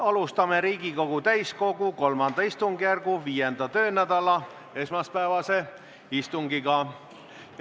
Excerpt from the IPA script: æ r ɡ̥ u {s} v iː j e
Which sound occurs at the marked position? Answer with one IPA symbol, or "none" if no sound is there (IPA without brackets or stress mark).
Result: none